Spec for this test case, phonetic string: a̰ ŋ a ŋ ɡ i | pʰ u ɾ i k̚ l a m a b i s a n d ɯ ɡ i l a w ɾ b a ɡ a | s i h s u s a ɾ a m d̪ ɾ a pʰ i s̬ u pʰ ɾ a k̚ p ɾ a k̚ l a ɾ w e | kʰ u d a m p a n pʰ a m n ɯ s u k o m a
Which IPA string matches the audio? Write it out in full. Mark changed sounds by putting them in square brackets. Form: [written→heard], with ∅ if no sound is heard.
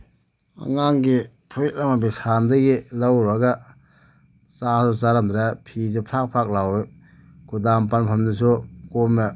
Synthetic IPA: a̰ ŋ a ŋ ɡ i | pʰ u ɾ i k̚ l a m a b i s a n d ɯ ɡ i l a w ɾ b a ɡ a | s [i→a] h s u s a ɾ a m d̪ ɾ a pʰ i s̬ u pʰ ɾ a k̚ [p→pʰ] ɾ a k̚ l a [ɾ→∅] w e | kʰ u d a m p a n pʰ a m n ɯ s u k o m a